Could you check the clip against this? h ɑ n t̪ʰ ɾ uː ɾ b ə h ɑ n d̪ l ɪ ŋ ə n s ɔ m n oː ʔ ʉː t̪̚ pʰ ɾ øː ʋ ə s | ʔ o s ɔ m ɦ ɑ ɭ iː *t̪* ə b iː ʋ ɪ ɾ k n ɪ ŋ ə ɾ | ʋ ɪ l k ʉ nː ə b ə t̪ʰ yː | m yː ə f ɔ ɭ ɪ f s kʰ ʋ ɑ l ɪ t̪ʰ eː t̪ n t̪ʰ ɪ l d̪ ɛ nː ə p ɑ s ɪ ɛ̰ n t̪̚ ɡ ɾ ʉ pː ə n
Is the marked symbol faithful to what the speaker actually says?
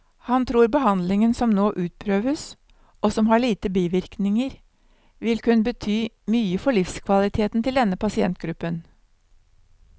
yes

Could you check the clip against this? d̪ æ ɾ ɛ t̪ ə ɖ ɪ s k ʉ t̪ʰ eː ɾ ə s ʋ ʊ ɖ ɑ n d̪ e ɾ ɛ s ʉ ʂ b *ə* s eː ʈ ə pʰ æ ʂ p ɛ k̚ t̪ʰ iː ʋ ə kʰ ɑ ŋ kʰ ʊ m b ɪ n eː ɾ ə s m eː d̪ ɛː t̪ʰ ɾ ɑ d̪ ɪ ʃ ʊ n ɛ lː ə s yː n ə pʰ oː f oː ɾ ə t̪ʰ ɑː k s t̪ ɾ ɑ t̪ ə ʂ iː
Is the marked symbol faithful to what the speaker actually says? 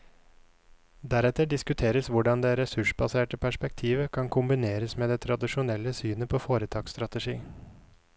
no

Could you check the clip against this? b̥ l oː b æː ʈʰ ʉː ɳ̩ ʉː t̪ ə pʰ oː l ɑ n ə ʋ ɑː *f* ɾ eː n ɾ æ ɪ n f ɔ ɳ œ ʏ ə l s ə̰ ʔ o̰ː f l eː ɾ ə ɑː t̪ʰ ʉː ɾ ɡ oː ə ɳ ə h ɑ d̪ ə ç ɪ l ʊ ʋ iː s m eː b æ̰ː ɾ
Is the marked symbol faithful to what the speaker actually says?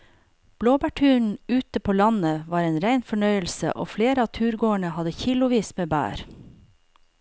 no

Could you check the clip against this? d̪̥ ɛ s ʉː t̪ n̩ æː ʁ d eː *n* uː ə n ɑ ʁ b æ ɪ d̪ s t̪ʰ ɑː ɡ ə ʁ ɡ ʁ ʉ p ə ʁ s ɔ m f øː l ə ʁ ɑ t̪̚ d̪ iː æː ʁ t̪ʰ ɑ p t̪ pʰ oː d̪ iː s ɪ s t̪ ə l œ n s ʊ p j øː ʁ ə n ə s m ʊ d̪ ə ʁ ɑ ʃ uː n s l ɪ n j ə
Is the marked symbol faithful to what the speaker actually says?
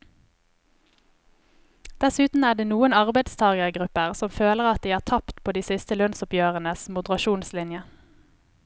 yes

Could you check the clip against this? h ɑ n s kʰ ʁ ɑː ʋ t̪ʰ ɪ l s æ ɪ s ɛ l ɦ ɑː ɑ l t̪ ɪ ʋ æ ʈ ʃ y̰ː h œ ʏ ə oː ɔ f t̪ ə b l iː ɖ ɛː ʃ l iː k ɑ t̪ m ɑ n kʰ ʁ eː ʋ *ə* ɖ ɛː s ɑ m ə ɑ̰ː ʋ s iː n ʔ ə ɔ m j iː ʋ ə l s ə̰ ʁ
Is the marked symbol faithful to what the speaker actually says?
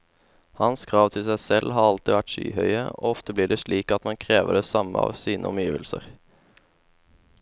yes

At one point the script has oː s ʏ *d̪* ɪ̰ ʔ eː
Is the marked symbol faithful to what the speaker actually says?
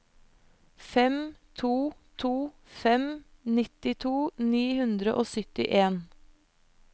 no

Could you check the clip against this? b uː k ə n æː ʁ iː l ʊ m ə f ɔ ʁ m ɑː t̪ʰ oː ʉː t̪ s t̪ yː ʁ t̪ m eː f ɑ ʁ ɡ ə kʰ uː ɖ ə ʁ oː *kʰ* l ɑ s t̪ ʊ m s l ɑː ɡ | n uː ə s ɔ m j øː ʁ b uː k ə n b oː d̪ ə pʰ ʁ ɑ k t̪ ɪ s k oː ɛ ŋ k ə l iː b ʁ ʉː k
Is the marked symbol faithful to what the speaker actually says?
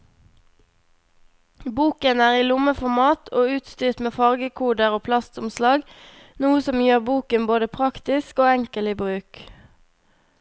no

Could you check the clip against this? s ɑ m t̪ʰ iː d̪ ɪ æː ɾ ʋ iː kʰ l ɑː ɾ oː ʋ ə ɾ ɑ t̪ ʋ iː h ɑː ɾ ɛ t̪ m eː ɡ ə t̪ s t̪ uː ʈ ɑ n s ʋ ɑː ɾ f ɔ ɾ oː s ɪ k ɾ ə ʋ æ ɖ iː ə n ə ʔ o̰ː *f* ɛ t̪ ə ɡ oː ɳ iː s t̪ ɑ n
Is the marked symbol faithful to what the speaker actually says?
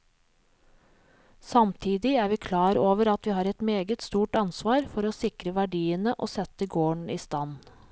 no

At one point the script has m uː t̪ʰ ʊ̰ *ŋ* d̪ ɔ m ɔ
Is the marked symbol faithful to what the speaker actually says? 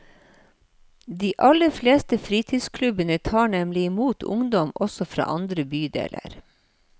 yes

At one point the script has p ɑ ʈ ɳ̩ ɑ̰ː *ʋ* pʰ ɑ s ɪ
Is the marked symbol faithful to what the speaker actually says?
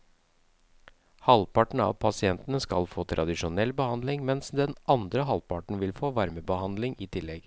yes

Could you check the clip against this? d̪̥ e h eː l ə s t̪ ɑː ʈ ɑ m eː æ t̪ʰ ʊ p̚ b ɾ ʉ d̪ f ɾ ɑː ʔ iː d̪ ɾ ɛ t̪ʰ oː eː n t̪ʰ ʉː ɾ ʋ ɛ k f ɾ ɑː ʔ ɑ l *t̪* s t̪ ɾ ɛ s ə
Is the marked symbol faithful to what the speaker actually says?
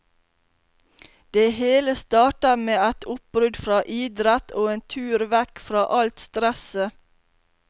yes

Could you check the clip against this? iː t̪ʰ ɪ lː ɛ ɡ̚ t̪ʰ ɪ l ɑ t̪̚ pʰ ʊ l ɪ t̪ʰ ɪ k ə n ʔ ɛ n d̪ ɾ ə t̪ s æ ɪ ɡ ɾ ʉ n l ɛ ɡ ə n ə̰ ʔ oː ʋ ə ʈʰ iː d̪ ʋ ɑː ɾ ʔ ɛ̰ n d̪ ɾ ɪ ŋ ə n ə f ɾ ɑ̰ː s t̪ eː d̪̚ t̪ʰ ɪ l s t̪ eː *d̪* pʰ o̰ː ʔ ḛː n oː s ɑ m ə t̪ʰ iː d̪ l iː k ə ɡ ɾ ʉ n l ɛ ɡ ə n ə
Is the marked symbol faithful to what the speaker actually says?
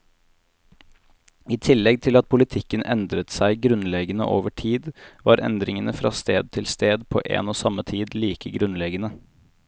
yes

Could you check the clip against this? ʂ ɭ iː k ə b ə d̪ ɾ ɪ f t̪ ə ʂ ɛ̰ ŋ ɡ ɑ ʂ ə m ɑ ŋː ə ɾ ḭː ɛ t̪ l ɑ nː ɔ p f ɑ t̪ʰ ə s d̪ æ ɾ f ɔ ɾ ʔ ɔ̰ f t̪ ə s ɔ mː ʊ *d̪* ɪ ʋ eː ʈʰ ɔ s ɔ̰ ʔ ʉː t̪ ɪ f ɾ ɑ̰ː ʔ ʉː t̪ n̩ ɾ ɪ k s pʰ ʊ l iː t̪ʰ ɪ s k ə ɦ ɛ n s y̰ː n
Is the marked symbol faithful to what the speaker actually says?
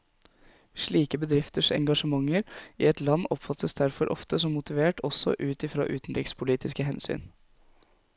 no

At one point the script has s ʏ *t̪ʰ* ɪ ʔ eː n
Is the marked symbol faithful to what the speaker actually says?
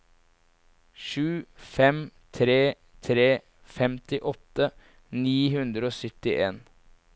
no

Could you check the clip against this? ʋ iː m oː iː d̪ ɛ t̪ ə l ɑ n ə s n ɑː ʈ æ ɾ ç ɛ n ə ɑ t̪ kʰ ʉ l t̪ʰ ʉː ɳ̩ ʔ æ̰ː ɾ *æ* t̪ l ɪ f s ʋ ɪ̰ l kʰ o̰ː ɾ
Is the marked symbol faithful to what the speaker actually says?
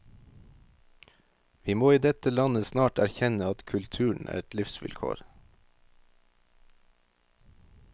no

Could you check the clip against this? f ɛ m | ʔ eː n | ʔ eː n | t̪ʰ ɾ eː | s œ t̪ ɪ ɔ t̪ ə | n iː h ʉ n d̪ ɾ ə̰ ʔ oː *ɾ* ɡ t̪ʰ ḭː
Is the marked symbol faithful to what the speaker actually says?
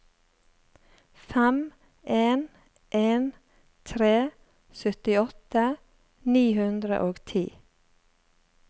no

